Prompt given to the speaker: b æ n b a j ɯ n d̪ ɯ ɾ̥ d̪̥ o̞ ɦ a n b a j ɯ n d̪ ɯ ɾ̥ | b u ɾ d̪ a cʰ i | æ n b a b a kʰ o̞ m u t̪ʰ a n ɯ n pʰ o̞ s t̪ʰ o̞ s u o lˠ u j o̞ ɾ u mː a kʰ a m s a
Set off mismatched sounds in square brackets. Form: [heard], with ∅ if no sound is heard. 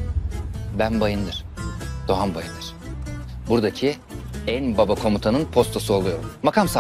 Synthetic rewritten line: b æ n b a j ɯ n d̪ ɯ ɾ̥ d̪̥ o̞ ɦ a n b a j ɯ n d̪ ɯ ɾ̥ | b u ɾ d̪ a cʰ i | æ n b a b a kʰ o̞ m u t̪ʰ a n ɯ n pʰ o̞ s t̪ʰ o̞ s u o lˠ u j o̞ ɾ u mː a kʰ a m s a

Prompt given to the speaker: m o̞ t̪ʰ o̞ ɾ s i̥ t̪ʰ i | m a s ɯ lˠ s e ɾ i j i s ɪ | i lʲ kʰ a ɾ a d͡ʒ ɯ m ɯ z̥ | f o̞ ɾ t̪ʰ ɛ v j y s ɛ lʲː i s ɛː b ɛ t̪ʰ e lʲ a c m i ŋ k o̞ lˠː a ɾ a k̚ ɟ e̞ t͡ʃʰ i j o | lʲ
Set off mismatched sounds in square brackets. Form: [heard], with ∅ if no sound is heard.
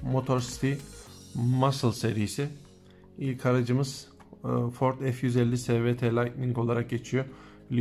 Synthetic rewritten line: m o̞ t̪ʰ o̞ ɾ s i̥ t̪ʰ i | m a s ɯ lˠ s e ɾ i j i s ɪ | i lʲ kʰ a ɾ a d͡ʒ ɯ m ɯ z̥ | f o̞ ɾ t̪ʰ ɛ [f] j y [z] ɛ lʲː i s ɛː [v] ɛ t̪ʰ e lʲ a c m i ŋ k o̞ [lˠ] a ɾ a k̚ ɟ e̞ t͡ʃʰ i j o | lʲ

